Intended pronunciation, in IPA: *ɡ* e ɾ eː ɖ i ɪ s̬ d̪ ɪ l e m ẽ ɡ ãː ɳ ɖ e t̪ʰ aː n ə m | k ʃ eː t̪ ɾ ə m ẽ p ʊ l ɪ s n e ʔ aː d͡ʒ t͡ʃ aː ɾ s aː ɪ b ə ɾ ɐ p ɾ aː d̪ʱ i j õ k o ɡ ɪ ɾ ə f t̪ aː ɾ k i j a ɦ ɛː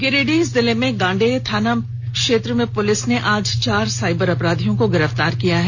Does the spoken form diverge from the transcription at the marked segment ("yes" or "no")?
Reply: no